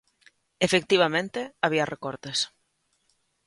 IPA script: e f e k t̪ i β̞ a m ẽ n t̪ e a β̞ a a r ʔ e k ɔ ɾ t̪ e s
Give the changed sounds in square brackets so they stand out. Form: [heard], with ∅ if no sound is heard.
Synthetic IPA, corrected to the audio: e f e k t̪ i β̞ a m ẽ n t̪ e a β̞ [i] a r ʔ e k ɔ ɾ t̪ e s